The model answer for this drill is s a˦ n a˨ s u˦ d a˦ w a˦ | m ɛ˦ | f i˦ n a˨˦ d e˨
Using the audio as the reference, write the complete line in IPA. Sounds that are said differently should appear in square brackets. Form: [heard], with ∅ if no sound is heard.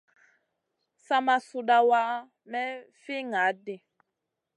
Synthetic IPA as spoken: s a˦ [m] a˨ s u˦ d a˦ w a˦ | m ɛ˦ | f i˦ [ŋ] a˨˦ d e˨